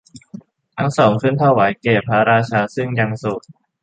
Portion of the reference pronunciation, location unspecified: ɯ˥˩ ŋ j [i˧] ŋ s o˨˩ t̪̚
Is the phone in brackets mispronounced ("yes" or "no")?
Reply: yes